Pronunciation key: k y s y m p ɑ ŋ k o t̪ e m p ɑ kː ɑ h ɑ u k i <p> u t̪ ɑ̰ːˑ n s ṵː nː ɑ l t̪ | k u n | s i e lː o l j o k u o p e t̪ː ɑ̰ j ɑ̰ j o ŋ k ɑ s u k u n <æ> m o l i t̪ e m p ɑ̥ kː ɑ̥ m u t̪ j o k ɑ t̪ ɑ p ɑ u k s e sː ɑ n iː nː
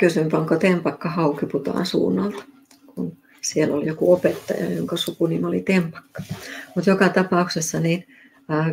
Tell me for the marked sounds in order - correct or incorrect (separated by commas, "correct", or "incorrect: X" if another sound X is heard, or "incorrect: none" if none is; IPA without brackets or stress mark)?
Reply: correct, incorrect: i